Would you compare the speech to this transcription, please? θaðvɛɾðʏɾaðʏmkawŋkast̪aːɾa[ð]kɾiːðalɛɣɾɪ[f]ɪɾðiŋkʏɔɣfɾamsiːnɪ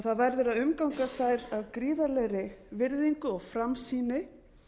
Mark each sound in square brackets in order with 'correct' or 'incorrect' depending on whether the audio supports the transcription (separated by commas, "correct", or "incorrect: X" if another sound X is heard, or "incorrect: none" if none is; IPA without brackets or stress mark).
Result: incorrect: v, incorrect: v